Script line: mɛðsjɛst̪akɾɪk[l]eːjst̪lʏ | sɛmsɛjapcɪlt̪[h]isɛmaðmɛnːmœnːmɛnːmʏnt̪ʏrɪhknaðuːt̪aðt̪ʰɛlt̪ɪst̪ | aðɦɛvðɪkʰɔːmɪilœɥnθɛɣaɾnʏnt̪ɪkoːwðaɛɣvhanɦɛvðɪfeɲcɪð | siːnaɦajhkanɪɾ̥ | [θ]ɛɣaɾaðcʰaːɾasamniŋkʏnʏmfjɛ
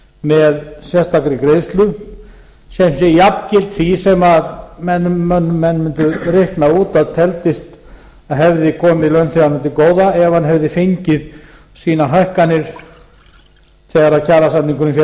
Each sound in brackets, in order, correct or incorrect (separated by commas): incorrect, incorrect, correct